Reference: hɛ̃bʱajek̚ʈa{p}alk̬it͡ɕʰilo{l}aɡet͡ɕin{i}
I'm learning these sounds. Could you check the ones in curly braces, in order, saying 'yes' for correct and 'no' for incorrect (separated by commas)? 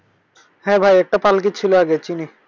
yes, no, yes